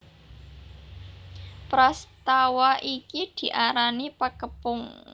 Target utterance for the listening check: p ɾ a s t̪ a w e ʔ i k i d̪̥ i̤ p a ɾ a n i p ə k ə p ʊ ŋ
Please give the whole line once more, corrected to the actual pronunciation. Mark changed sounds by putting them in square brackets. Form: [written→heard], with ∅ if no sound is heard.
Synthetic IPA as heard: p ɾ a s t̪ a w [e→a] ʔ i k i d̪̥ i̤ [p→ʔ] a ɾ a n i p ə k ə p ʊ ŋ

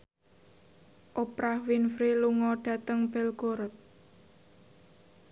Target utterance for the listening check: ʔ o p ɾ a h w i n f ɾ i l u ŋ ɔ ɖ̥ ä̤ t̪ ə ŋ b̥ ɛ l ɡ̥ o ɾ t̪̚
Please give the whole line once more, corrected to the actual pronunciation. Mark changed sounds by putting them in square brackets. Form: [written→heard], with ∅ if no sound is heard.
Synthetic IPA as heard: ʔ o p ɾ a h w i n f ɾ i l u ŋ ɔ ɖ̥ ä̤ t̪ ə ŋ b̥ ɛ l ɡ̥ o ɾ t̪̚

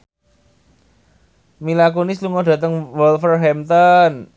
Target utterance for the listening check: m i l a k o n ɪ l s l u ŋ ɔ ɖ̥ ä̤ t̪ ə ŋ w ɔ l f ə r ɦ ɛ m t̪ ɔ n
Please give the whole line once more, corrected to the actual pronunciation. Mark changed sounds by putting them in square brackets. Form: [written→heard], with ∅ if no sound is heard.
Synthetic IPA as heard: m i l a k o n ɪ [l→∅] s l u ŋ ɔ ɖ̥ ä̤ t̪ ə ŋ w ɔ l f ə r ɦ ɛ m t̪ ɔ n

